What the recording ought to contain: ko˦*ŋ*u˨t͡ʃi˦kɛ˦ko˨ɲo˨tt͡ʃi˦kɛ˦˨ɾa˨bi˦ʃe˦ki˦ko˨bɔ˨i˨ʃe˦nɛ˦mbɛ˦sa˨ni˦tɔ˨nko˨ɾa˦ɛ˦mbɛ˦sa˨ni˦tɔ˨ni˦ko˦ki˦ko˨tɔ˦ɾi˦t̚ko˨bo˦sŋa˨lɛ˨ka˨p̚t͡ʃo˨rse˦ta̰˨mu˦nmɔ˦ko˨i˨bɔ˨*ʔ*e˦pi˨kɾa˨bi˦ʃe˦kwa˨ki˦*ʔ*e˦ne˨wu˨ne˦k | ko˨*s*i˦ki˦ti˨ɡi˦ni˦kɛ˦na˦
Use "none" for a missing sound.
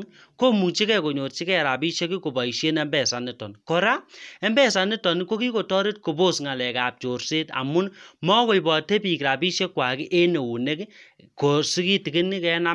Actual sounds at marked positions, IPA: m, t, ʔ, s

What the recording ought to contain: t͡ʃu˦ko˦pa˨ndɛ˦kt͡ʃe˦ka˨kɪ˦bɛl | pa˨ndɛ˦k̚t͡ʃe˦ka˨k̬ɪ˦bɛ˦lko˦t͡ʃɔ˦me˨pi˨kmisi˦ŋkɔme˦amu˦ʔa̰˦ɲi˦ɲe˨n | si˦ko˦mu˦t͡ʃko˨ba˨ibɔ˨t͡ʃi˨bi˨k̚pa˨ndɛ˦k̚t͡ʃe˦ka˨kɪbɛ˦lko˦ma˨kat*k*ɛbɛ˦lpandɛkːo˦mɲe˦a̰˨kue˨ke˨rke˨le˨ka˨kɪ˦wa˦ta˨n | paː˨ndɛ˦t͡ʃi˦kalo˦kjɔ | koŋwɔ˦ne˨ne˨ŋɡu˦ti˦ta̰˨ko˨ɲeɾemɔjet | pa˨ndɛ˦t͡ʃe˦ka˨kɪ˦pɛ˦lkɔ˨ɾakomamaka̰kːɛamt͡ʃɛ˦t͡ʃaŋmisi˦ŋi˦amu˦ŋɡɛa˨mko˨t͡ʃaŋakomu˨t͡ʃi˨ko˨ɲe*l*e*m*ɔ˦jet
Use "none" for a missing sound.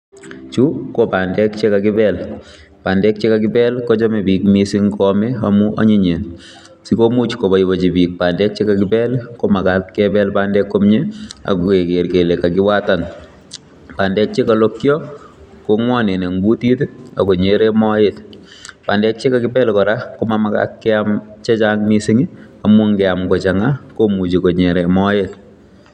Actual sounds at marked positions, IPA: k, ɾ, m

